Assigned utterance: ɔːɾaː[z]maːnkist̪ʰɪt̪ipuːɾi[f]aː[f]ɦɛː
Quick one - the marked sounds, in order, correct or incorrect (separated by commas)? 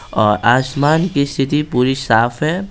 incorrect, incorrect, correct